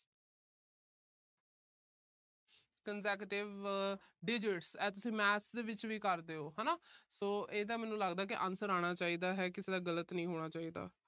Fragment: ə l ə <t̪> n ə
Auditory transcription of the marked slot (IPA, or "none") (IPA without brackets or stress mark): t̪